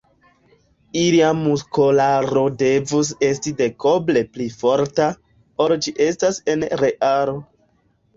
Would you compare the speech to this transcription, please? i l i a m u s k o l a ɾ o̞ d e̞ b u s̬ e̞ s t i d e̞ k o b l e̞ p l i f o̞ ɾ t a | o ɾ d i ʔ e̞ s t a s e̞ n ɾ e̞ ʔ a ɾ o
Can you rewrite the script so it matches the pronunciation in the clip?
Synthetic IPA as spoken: i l i a m u s k o l a ɾ o̞ d e̞ v u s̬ e̞ s t i d e̞ k o b l e̞ p l i f o̞ ɾ t a | o ɾ d͡ʒ i ʔ e̞ s t a s e̞ n ɾ e̞ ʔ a ɾ o